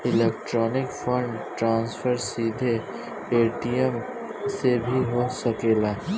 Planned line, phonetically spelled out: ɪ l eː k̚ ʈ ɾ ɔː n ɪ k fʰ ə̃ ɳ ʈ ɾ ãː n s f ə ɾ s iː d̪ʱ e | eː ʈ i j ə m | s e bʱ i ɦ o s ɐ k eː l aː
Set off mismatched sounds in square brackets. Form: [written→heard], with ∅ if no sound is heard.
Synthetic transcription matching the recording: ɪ l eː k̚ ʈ ɾ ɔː n ɪ k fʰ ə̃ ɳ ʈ ɾ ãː n s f ə ɾ s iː d̪ʱ e | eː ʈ i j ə m | s e bʱ i ɦ o s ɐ k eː l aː